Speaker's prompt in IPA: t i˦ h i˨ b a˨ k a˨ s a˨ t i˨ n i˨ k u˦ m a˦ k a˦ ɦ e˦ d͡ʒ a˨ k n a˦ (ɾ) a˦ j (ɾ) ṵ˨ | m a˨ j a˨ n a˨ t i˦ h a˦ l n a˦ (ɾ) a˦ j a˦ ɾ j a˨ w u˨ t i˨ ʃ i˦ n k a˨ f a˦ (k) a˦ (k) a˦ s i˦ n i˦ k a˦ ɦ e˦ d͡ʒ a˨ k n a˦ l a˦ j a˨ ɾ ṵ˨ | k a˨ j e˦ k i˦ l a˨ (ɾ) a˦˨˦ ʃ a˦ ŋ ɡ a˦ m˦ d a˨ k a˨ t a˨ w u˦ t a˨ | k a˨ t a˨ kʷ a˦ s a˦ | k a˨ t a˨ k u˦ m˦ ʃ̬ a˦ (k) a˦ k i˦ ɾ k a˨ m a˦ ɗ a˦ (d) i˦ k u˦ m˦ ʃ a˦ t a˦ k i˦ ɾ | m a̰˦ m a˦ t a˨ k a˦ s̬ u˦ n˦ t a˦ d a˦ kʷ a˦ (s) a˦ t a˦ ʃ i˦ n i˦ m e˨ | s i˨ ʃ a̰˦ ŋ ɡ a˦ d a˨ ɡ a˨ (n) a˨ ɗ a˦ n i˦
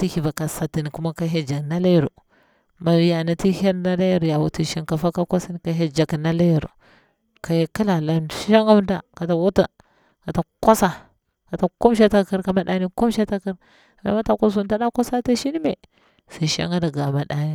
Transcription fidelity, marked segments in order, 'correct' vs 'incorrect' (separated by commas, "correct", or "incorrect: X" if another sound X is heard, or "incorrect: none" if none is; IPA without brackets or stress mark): incorrect: l, correct, incorrect: l, correct, correct, incorrect: l, incorrect: t, incorrect: n, correct, incorrect: m